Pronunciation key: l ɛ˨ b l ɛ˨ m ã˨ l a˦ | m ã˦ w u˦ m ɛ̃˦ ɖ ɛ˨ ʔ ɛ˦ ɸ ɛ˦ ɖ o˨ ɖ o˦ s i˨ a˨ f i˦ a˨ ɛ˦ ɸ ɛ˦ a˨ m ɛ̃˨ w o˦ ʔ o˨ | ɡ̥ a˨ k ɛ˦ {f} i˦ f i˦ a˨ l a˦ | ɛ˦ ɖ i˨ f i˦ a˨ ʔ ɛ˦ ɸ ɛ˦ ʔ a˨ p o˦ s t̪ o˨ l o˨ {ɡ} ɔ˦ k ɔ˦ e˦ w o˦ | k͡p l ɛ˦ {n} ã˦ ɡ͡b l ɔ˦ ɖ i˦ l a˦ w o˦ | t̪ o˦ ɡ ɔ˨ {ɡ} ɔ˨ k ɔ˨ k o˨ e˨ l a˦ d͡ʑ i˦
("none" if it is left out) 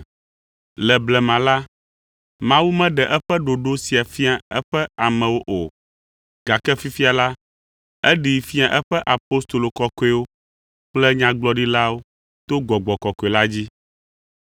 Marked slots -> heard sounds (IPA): f, k, ɲ, ɡ͡b

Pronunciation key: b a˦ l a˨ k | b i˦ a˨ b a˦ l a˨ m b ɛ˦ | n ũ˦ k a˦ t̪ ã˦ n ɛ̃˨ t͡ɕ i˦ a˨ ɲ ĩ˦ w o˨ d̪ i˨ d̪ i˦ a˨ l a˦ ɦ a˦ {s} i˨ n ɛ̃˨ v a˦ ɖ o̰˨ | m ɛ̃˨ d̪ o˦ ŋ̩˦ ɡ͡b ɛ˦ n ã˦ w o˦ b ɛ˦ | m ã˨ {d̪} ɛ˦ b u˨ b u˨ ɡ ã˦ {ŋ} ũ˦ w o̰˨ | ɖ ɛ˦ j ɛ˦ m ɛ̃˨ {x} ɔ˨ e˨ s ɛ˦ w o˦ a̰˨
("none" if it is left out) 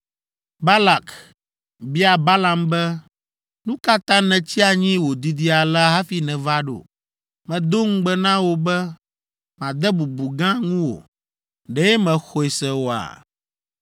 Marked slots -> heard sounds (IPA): f, d̪, ŋ, x

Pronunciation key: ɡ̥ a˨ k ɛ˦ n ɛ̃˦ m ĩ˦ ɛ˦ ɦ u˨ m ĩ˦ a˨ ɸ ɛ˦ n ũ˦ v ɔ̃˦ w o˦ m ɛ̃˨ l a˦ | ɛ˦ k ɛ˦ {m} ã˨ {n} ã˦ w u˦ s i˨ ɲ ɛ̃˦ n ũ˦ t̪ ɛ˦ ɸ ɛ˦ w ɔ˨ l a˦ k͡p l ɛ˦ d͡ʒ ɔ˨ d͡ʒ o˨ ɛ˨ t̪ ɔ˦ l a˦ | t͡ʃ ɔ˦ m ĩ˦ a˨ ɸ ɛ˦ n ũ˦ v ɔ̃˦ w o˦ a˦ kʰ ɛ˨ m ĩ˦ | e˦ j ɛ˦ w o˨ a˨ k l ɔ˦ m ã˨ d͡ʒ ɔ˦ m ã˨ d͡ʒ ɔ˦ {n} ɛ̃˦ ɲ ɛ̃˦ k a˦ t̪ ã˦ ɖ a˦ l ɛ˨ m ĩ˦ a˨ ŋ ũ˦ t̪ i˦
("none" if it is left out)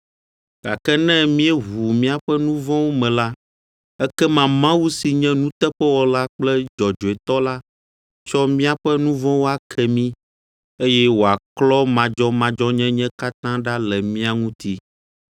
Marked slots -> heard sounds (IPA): m, m, ɲ

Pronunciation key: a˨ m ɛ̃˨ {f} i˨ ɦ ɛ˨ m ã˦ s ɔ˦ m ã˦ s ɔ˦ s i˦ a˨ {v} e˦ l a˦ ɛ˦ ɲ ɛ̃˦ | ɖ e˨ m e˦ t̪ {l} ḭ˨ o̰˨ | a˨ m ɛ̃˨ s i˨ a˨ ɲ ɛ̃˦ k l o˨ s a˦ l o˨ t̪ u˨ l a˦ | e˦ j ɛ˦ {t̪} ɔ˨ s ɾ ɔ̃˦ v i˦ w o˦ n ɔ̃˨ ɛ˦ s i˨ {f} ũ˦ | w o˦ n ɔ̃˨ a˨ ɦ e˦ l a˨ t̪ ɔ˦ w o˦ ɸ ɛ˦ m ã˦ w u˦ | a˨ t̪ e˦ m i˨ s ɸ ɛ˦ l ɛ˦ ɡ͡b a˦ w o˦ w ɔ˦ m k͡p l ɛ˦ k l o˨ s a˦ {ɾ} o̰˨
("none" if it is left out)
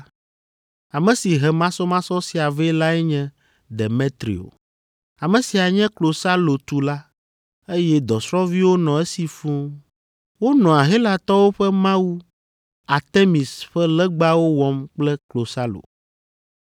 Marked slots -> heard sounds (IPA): s, v, ɾ, d̪, f, l

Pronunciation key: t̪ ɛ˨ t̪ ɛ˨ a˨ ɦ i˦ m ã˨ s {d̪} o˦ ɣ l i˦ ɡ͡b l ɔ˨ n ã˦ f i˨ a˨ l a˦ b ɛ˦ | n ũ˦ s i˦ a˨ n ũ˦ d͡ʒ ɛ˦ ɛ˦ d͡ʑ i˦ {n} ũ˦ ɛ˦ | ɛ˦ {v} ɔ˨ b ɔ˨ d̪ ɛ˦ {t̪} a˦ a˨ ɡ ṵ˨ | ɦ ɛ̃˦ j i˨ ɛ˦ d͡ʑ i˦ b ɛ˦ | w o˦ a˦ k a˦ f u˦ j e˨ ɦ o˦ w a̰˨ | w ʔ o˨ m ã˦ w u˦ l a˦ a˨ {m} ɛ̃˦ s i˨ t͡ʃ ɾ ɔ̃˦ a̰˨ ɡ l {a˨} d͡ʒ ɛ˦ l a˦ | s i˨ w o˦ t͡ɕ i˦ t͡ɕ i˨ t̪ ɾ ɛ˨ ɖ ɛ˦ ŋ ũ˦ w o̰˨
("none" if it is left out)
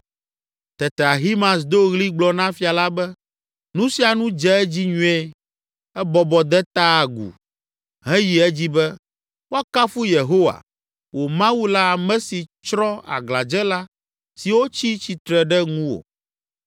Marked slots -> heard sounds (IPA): d̪, ɲ, b, t̪, m, a˨

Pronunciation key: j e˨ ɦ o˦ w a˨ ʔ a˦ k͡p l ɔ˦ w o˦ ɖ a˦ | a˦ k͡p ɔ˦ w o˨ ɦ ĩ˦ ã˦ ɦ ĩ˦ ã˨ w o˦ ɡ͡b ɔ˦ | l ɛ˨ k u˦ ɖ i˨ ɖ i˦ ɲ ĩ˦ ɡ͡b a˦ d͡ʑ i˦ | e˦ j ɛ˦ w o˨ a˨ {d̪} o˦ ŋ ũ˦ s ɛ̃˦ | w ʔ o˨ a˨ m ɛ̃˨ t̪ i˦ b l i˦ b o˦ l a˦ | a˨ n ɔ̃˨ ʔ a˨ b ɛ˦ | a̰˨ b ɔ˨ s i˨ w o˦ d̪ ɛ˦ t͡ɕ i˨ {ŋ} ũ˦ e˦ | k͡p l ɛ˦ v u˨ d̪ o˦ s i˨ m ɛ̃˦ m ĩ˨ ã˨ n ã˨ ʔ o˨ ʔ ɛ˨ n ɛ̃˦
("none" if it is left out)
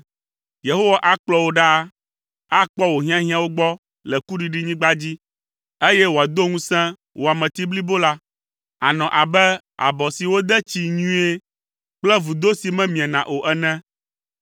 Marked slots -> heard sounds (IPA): d̪, ɲ

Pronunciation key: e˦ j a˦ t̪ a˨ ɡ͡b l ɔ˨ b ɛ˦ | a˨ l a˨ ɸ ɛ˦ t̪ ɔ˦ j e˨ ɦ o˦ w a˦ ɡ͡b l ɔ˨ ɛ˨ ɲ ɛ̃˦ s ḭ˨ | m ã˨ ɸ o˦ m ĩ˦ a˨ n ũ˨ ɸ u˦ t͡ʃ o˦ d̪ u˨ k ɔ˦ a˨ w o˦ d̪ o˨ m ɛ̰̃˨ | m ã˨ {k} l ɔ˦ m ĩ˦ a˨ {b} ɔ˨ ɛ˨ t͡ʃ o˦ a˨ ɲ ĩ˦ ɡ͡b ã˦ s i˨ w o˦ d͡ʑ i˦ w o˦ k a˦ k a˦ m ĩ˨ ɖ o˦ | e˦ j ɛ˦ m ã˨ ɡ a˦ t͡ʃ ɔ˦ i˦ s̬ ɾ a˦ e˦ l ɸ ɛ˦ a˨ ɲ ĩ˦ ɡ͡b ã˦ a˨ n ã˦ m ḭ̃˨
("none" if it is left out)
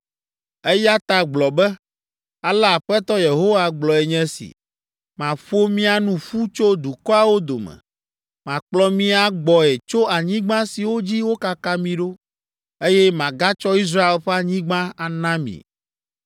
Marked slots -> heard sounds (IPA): k͡p, ɡ͡b

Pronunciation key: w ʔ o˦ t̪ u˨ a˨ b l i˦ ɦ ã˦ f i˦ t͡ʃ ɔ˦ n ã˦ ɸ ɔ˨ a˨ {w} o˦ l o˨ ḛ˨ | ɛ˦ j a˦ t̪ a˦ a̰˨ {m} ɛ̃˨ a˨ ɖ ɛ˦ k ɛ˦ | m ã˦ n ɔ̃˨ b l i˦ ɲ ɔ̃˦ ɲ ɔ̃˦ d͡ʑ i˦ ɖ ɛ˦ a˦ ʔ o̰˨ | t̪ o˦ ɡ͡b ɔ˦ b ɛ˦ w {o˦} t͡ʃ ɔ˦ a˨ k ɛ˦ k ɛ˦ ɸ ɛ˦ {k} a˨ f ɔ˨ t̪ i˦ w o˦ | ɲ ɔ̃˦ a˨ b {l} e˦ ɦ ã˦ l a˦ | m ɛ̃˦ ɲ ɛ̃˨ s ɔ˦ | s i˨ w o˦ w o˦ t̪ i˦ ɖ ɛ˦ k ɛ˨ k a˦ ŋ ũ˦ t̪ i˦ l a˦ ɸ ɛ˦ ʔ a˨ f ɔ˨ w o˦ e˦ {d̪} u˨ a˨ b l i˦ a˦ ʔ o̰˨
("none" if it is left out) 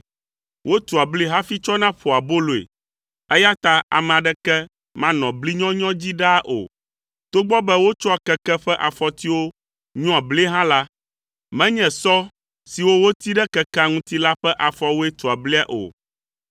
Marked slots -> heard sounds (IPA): b, m, o˦, ʔ, l, t̪

